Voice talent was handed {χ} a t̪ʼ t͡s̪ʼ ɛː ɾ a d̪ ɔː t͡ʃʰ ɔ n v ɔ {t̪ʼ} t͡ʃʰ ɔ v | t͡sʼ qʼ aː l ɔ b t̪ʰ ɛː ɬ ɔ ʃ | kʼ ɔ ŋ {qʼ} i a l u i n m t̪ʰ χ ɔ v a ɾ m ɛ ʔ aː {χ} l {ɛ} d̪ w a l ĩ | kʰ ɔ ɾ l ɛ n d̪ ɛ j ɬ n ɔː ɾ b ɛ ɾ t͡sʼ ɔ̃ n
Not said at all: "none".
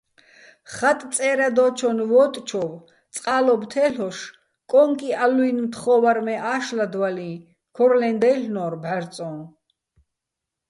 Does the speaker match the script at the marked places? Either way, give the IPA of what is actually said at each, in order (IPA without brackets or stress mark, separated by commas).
χ, t̪ʼ, kʼ, ʃ, a